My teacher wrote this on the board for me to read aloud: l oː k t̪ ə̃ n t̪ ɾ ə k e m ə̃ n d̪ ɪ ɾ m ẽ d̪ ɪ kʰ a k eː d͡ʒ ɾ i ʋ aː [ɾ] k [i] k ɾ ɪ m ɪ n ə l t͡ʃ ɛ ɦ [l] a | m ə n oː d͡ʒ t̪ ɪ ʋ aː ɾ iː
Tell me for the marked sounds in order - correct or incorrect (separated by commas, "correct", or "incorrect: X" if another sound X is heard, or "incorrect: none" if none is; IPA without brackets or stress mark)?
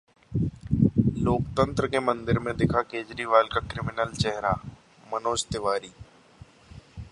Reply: incorrect: l, incorrect: a, incorrect: ɾ